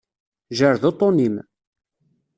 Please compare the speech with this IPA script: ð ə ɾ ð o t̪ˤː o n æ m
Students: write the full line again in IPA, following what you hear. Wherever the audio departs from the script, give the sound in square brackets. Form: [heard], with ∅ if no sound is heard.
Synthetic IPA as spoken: [ʒ] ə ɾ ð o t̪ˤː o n [i] m